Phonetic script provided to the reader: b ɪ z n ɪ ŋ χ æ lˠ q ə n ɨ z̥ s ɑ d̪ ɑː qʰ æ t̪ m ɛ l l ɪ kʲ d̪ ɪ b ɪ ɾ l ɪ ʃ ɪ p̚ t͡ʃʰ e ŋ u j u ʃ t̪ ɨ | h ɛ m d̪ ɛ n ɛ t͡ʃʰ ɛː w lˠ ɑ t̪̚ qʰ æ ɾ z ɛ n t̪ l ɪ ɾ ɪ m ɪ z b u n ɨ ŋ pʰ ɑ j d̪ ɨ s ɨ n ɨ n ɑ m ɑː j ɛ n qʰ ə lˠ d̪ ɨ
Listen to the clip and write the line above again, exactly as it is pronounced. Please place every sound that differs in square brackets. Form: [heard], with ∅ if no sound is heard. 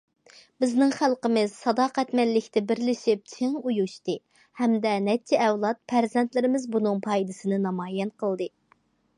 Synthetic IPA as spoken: b ɪ z n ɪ ŋ χ æ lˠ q ə [m] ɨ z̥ s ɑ d̪ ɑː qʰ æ t̪ m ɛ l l ɪ kʲ [t̪] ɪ b ɪ ɾ l ɪ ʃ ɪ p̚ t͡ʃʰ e ŋ u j u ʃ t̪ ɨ | h ɛ m d̪ ɛ n ɛ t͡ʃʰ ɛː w lˠ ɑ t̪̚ [pʰ] æ ɾ z ɛ n t̪ l ɪ ɾ ɪ m ɪ z b u n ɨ ŋ pʰ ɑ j d̪ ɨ s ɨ n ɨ n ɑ m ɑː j ɛ n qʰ ə lˠ d̪ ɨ